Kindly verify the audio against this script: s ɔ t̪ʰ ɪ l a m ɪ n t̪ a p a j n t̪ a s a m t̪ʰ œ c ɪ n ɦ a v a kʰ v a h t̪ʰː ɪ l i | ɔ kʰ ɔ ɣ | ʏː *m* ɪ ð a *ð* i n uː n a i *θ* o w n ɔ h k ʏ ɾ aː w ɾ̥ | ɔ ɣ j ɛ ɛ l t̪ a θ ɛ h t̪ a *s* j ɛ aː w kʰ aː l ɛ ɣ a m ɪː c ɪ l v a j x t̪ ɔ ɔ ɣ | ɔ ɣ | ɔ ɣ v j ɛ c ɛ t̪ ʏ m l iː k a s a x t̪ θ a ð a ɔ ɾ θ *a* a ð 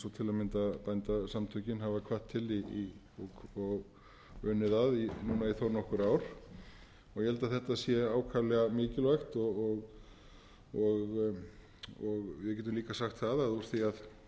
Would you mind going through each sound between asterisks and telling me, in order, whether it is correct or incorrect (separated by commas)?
incorrect, correct, correct, correct, incorrect